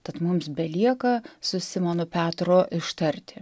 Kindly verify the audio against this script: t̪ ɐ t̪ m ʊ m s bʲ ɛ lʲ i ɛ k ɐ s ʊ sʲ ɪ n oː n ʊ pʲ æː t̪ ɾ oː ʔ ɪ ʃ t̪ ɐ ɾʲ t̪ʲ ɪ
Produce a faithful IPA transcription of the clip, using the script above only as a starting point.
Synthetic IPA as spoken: t̪ ɐ t̪ m ʊ m s bʲ ɛ lʲ i ɛ k ɐ s ʊ sʲ ɪ m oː n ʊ pʲ æː t̪ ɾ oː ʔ ɪ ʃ t̪ ɐ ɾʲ t̪ʲ ɪ